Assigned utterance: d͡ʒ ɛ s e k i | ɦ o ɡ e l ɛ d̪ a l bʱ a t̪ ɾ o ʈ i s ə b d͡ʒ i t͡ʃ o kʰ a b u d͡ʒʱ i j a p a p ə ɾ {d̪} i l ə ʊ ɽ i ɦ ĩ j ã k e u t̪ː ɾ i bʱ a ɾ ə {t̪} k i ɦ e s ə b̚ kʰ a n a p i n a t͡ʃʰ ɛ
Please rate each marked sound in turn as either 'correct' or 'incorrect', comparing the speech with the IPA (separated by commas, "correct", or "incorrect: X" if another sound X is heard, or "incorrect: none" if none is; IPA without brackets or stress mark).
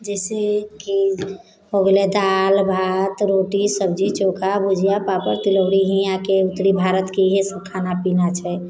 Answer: incorrect: t̪, correct